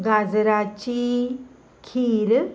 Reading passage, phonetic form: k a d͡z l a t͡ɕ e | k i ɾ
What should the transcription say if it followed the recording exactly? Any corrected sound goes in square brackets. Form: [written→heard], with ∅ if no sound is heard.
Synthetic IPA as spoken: [k→ɡ] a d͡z [l→ɾ] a t͡ɕ [e→i] | [k→kʰ] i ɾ